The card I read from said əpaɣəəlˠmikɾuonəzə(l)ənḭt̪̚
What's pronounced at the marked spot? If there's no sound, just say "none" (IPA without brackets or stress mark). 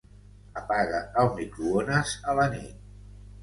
l